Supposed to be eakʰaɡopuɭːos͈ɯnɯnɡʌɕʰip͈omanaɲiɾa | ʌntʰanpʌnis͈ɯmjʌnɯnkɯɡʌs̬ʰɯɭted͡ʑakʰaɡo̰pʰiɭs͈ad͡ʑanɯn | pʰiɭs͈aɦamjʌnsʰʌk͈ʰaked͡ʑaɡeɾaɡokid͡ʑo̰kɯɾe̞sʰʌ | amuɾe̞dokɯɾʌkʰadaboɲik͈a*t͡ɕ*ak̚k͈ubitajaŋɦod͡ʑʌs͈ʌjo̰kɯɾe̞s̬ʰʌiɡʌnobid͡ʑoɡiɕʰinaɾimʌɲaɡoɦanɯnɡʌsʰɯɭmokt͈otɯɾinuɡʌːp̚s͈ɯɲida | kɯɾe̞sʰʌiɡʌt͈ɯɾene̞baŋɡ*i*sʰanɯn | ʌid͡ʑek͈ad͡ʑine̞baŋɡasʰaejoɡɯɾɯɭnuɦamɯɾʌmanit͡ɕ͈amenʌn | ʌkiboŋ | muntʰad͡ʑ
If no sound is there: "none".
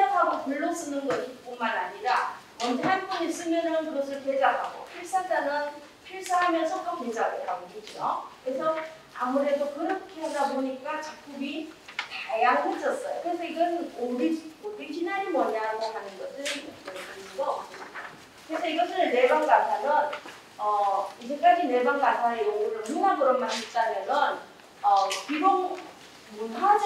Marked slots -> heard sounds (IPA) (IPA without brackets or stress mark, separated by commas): t͡ɕ, a